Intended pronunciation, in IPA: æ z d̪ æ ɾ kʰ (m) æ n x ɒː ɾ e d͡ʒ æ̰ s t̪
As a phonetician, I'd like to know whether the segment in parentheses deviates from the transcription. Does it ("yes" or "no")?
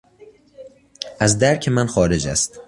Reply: no